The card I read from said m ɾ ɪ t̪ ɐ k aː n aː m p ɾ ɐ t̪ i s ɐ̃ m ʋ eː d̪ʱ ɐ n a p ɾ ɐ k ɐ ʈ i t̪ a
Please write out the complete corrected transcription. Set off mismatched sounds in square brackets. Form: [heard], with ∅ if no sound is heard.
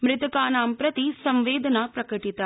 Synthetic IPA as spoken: m ɾ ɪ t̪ ɐ k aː n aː m p ɾ ɐ t̪ i s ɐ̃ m ʋ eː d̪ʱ ɐ n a p ɾ ɐ k ɐ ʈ i t̪ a